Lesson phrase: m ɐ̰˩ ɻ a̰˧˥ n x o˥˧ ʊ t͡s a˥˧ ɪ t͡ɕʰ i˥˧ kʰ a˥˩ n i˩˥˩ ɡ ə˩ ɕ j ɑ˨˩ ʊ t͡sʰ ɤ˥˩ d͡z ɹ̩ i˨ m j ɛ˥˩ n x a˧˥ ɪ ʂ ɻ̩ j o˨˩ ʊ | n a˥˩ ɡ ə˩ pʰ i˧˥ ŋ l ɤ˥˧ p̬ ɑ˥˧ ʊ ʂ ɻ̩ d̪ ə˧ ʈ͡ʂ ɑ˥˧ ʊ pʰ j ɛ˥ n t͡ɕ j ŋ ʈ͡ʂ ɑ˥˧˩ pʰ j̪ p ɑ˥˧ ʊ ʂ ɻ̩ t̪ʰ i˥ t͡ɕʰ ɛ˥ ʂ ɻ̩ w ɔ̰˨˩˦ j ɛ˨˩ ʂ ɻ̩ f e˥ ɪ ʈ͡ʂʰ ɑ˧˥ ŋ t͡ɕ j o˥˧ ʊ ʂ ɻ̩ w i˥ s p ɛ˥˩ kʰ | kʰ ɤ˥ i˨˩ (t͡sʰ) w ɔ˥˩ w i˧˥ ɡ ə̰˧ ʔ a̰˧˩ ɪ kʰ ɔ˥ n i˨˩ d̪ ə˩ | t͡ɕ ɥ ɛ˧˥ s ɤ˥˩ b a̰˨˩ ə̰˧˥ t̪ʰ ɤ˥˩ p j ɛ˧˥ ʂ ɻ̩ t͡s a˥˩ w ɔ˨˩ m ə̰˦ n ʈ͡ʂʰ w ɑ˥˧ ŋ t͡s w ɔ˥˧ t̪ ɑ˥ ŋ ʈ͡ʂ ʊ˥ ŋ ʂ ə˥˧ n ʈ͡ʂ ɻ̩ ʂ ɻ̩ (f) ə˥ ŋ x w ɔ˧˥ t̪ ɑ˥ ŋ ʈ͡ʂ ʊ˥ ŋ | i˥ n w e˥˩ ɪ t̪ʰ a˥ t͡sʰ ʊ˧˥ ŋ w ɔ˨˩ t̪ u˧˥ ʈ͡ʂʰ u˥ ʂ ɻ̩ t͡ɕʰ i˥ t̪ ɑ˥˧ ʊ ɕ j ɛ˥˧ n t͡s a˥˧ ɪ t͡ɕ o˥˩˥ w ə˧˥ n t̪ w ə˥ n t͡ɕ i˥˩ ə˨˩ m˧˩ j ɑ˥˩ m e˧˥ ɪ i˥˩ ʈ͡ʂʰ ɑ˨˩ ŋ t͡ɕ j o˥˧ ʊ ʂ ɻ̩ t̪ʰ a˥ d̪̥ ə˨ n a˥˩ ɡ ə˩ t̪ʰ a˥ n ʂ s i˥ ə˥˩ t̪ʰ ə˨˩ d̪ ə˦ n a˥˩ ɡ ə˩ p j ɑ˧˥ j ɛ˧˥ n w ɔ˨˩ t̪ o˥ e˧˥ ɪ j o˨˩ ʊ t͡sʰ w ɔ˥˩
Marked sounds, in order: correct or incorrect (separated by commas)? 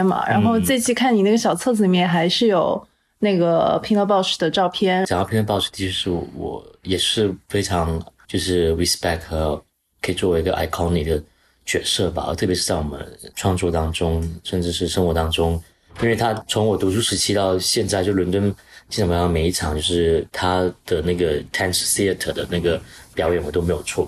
incorrect, incorrect